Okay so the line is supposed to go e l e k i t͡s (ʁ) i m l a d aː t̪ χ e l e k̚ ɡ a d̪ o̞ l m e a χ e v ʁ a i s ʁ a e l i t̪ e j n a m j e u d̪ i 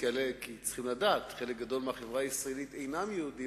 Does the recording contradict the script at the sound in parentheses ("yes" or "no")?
yes